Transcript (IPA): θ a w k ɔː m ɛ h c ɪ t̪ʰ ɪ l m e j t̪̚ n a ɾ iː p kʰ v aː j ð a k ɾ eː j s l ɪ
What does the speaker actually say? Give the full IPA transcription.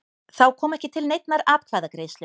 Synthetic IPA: θ a w kʰ ɔː m ɛ h c ɪ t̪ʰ ɪ l n e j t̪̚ n a ɾ aː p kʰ v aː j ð a k ɾ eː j s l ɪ